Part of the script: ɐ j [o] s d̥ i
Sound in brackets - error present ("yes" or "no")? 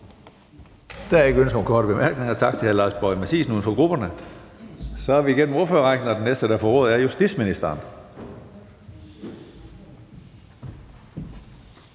yes